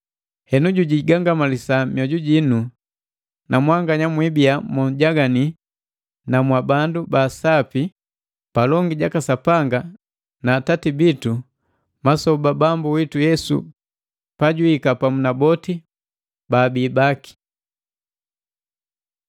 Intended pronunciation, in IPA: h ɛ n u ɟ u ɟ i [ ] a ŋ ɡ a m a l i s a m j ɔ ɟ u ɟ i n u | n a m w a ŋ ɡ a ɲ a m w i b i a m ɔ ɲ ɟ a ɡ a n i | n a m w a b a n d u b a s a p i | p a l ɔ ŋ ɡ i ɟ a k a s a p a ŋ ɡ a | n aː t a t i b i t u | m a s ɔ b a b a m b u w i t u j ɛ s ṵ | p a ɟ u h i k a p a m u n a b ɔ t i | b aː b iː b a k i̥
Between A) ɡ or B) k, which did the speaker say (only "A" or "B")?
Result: A